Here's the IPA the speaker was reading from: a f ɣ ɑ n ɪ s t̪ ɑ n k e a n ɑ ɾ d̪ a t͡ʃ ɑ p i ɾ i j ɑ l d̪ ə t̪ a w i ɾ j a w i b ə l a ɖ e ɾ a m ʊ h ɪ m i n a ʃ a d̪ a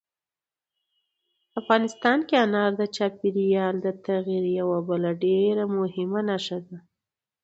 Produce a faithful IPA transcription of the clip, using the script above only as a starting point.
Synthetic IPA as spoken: a f ɣ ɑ n ɪ s t̪ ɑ n k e a n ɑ ɾ d̪ ə t͡ʃ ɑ p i ɾ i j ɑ l d̪ ə t̪ a ɣ i ɾ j a w a b ə l a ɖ e ɾ a m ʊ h ɪ m a n a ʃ a d̪ a